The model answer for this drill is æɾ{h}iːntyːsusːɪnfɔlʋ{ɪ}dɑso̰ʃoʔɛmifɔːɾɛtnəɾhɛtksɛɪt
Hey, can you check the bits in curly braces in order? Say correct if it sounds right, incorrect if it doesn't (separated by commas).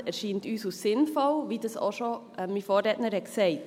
incorrect, incorrect